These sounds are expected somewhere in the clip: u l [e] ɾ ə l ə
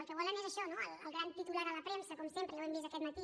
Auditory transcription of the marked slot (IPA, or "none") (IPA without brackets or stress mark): a